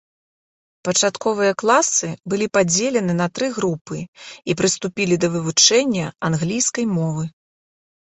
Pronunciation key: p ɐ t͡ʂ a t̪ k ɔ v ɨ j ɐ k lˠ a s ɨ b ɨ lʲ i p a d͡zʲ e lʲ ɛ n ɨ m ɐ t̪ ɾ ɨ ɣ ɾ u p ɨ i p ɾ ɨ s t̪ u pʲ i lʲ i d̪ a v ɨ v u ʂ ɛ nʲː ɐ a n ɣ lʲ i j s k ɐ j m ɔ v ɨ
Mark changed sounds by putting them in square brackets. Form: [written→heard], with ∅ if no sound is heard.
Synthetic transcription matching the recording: p ɐ t͡ʂ a t̪ k ɔ v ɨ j ɐ k lˠ a s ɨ b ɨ lʲ i p a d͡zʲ e lʲ ɛ n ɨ [m→n] ɐ t̪ ɾ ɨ ɣ ɾ u p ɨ i p ɾ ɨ s t̪ u pʲ i lʲ i d̪ [a→ɐ] v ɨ v u [ʂ→t͡ʂ] ɛ nʲː ɐ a n ɣ lʲ i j s k ɐ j m ɔ v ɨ

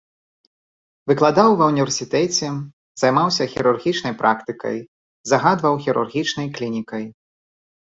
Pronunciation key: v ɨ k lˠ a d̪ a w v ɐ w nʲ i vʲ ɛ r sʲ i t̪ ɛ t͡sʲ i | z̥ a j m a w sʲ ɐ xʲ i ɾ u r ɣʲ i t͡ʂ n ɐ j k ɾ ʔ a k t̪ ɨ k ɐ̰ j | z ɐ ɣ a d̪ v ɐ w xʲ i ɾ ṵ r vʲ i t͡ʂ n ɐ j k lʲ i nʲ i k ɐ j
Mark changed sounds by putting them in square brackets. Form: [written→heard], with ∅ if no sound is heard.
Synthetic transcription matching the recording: v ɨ k lˠ a d̪ a w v ɐ w nʲ i vʲ ɛ r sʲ i t̪ ɛ t͡sʲ [i→ɛ] | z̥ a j m a w sʲ ɐ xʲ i ɾ u r ɣʲ i t͡ʂ n ɐ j [k→p] ɾ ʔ a k t̪ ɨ k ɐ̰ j | z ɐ ɣ a d̪ v ɐ w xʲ i ɾ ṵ r [vʲ→ɣʲ] i t͡ʂ n ɐ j k lʲ i nʲ i k ɐ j

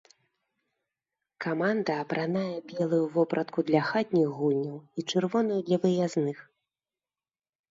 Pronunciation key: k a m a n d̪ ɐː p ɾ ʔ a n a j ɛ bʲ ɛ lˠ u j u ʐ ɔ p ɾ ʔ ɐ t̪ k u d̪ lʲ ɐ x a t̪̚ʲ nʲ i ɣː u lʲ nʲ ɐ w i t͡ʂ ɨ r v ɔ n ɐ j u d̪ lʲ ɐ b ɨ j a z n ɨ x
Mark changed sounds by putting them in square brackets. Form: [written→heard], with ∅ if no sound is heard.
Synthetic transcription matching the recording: k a m a n d̪ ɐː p ɾ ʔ a n a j ɛ bʲ ɛ lˠ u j u [ʐ→v] ɔ p ɾ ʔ ɐ t̪ k u d̪ lʲ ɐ x a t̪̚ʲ nʲ i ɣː u lʲ nʲ ɐ w i t͡ʂ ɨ r v ɔ n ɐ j u d̪ lʲ ɐ [b→v] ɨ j a z n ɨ x

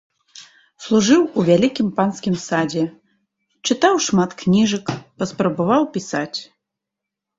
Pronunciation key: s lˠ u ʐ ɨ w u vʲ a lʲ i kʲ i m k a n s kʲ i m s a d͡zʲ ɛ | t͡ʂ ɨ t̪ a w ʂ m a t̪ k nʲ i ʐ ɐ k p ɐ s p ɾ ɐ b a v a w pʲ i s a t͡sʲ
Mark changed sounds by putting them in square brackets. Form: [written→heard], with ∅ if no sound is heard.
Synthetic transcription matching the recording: s lˠ u ʐ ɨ w u vʲ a lʲ i kʲ i m [k→p] a n s kʲ i m s a d͡zʲ ɛ | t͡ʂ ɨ t̪ a w ʂ m a t̪ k nʲ i ʐ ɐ k p ɐ s p ɾ ɐ b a v a w pʲ i s a t͡sʲ

